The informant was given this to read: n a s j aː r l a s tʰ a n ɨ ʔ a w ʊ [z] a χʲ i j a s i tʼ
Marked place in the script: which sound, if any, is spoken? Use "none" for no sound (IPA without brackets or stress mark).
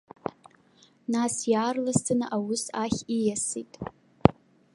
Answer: s